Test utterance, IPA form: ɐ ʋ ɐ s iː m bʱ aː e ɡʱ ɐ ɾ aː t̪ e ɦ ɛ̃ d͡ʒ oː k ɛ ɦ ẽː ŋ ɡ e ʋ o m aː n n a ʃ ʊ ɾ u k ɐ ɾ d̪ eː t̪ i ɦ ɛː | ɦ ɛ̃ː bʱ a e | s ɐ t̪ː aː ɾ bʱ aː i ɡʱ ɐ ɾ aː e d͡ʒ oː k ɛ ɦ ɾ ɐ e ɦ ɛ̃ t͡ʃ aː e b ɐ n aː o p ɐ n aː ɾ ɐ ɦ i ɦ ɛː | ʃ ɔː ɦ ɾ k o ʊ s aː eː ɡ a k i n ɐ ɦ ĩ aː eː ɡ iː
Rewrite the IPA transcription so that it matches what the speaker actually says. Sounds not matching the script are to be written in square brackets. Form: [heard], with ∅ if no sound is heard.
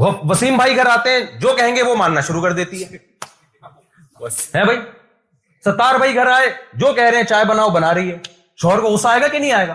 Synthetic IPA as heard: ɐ ʋ ɐ s iː m bʱ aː [i] ɡʱ ɐ ɾ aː t̪ e ɦ ɛ̃ d͡ʒ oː k ɛ ɦ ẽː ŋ ɡ e ʋ o m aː n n a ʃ ʊ ɾ u k ɐ ɾ d̪ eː t̪ i ɦ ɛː | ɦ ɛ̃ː bʱ a [i] | s ɐ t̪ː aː ɾ bʱ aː i ɡʱ ɐ ɾ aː e d͡ʒ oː k ɛ ɦ ɾ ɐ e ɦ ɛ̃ t͡ʃ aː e b ɐ n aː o [b] ɐ n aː ɾ ɐ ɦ i ɦ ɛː | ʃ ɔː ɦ ɾ k o ʊ s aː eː ɡ a k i n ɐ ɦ ĩ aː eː ɡ [aː]